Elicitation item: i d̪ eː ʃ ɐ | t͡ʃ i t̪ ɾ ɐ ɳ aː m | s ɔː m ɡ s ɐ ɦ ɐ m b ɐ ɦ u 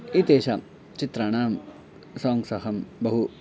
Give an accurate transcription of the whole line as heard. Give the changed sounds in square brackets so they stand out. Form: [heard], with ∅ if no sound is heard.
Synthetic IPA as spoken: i [t̪] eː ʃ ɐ | t͡ʃ i t̪ ɾ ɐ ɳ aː m | s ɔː [ŋ] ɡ s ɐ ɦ ɐ m b ɐ ɦ u